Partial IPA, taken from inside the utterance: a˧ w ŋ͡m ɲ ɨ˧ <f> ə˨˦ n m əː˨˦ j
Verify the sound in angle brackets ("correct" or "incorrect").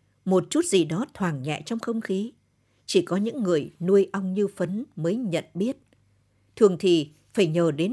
correct